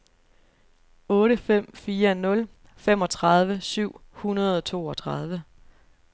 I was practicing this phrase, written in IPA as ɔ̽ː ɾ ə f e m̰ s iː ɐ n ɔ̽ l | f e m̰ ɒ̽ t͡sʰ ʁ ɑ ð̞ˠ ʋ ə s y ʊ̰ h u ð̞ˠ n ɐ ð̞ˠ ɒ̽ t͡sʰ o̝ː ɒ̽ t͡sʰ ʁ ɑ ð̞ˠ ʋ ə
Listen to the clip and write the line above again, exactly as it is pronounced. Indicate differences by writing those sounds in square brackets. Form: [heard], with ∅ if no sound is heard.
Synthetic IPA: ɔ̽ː ɾ ə f e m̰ [f] iː ɐ n ɔ̽ l | f e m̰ ɒ̽ t͡sʰ ʁ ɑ ð̞ˠ ʋ ə s y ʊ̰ h u [∅] n ɐ ð̞ˠ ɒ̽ t͡sʰ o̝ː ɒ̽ t͡sʰ ʁ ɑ ð̞ˠ ʋ ə